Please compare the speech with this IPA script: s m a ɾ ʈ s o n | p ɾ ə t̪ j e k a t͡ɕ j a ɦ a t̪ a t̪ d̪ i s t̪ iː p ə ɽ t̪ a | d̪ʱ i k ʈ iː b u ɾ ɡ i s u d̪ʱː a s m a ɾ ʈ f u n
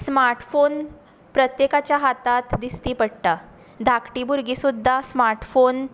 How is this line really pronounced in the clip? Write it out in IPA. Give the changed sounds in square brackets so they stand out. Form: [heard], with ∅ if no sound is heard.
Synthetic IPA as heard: s m a ɾ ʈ [f] o n | p ɾ ə t̪ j e k a t͡ɕ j a ɦ a t̪ a t̪ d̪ i s t̪ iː p ə ɽ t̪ a | d̪ʱ [a] k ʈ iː b u ɾ ɡ i s u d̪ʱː a s m a ɾ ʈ f [o] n